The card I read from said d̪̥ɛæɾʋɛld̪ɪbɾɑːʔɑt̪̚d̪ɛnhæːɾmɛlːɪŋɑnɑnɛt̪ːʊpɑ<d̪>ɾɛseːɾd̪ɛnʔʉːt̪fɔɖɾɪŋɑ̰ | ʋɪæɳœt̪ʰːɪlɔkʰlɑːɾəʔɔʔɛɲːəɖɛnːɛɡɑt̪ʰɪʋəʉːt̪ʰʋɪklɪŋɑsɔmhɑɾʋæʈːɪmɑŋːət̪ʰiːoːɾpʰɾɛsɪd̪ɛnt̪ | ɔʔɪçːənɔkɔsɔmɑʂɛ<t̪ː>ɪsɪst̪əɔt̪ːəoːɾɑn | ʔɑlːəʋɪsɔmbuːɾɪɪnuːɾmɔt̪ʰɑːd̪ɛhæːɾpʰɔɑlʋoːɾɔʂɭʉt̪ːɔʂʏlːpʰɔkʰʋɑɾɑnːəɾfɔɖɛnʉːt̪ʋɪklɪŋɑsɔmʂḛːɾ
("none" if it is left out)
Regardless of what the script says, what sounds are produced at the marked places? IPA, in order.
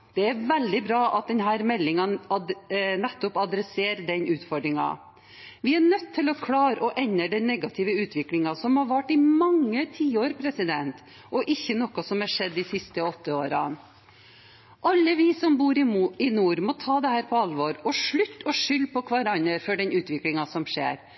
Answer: d̪, d̪ː

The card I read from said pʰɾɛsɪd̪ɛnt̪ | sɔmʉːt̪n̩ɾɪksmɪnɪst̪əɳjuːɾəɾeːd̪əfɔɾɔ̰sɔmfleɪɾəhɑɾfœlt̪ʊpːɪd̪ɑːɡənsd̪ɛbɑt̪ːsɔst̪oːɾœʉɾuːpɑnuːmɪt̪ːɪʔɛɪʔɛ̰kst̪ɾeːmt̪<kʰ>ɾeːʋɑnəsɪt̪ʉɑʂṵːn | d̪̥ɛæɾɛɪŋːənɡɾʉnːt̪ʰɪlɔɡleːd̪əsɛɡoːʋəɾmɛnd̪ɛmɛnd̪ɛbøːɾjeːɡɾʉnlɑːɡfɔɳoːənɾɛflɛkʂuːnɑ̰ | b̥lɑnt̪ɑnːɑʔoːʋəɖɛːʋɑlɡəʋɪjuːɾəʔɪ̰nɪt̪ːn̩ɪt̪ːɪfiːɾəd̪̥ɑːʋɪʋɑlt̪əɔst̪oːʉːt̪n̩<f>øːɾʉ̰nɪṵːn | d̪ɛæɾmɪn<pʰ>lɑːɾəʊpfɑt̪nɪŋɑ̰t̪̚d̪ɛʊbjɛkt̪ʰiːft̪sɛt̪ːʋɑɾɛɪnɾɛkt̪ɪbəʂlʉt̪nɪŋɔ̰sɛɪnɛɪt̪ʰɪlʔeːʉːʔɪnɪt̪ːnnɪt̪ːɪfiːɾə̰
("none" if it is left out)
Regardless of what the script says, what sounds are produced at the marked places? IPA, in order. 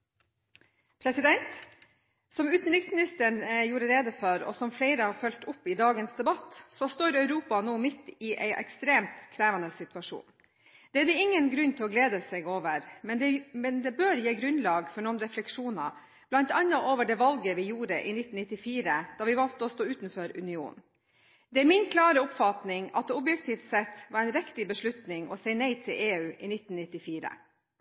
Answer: kʰ, f, kʰ

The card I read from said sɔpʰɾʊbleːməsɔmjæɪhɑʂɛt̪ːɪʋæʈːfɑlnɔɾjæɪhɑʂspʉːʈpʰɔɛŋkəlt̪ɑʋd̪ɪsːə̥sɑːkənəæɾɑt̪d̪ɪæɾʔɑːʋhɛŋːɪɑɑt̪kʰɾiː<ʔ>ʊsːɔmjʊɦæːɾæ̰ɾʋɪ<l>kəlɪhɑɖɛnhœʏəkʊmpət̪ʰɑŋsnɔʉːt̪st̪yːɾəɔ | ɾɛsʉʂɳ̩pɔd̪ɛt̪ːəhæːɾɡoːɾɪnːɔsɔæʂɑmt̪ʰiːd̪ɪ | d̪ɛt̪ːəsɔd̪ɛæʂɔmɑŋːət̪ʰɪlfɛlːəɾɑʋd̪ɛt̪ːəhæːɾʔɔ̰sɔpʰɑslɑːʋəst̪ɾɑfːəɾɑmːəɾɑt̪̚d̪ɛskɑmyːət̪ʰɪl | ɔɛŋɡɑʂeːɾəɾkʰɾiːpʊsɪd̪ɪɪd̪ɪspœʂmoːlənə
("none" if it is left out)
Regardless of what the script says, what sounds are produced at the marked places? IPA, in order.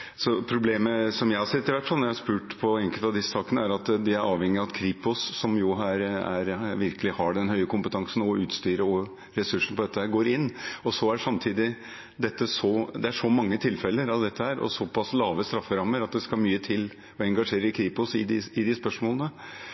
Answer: p, ɾ

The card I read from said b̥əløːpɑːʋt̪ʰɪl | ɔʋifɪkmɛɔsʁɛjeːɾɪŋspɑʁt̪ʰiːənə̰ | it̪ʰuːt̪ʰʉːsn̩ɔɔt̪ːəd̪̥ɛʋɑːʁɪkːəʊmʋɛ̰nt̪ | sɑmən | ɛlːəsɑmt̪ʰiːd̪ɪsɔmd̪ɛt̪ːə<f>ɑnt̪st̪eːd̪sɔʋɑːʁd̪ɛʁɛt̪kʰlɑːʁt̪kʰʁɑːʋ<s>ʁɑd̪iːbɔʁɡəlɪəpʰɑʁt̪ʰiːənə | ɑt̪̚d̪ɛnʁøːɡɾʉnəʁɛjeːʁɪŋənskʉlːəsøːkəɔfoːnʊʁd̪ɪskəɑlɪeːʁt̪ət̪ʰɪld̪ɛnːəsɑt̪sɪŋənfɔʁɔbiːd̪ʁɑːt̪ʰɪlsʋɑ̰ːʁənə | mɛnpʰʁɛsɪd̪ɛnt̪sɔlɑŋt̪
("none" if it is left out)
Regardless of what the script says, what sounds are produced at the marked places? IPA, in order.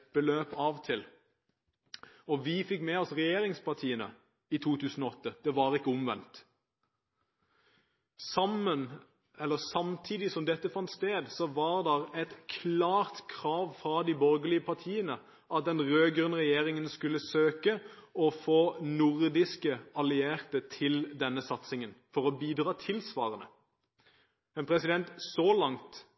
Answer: f, f

